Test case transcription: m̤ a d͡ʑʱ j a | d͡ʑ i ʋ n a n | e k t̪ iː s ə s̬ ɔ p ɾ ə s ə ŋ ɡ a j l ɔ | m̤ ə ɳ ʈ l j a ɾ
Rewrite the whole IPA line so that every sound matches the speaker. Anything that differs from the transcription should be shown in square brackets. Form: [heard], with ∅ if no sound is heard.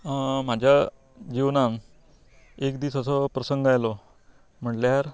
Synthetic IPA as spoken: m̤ a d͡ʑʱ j a | d͡ʑ i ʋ n a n | e k [d̪] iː s ə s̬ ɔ p ɾ ə s ə ŋ ɡ a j l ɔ | m̤ ə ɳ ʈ l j a ɾ